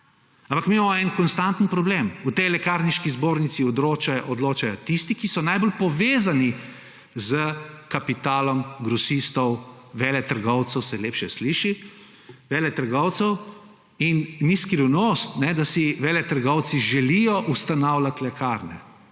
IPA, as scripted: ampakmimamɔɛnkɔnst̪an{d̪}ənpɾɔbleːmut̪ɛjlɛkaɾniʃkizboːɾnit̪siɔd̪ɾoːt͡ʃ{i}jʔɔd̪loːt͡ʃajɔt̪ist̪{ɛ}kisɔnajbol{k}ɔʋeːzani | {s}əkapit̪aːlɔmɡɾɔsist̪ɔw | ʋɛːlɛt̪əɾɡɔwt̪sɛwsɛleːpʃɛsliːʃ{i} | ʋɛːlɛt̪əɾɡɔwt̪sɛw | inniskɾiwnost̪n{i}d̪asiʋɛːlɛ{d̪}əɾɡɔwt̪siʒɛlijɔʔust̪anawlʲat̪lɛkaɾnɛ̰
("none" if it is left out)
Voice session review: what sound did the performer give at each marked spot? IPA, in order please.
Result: t̪, a, i, p, z, i, ɛ, t̪

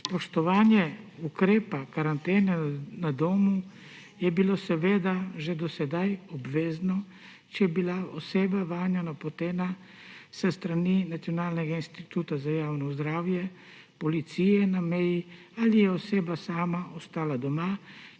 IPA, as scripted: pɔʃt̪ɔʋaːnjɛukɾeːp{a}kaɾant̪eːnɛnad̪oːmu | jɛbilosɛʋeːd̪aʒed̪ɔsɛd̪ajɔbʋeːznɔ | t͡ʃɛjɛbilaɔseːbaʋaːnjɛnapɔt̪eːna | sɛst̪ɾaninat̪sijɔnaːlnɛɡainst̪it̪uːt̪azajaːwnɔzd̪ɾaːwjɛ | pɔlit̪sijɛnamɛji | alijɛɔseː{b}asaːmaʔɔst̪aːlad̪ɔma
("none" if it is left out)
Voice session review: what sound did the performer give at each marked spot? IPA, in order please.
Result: a, b

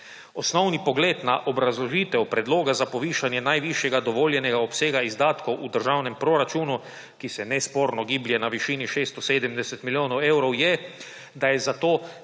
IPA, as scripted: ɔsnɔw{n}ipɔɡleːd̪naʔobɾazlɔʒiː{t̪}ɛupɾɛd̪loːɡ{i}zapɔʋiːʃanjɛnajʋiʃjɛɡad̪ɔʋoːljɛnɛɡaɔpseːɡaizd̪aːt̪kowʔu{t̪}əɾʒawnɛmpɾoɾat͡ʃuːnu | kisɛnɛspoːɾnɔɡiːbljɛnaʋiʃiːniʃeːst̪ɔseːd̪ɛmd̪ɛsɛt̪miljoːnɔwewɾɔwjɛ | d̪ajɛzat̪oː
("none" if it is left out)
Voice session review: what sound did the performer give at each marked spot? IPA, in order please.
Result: n, t̪, a, d̪

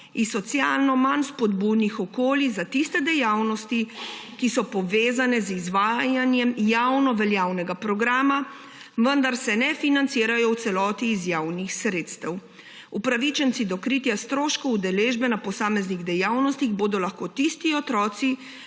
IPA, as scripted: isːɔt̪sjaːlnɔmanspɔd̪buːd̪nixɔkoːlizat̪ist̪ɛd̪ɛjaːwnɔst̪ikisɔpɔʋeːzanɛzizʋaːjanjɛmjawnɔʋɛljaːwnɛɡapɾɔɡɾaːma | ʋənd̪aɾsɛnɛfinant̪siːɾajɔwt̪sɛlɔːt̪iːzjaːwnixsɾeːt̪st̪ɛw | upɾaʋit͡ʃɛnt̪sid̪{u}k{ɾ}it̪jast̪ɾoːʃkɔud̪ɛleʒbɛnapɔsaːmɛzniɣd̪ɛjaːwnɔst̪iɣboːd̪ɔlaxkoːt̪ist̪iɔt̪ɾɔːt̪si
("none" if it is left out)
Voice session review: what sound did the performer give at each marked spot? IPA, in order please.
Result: ɔ, ɾ

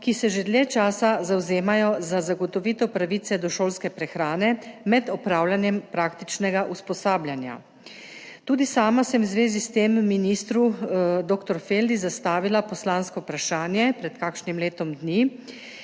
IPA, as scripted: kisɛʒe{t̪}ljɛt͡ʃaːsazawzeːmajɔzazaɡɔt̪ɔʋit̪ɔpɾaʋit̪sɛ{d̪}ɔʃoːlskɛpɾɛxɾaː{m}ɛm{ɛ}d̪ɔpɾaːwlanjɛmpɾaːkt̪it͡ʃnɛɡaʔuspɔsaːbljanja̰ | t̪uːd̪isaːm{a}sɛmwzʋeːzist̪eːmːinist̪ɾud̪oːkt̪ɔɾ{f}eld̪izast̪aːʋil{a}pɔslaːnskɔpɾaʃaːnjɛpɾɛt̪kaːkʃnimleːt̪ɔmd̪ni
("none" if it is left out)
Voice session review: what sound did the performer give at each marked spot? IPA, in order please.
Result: d̪, d̪, n, ɛ, a, f, a

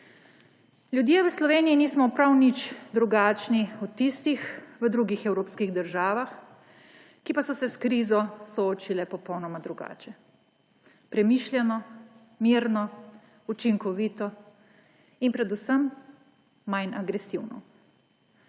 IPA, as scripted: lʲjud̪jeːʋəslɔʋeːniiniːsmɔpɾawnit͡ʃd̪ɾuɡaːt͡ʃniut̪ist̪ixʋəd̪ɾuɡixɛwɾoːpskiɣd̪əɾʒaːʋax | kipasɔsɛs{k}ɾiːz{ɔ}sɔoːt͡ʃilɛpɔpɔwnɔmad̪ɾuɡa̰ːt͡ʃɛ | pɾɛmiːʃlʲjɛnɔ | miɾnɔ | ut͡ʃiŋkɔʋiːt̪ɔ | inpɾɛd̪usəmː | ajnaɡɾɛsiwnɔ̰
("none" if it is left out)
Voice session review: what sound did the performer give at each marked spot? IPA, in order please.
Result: k, ɔ

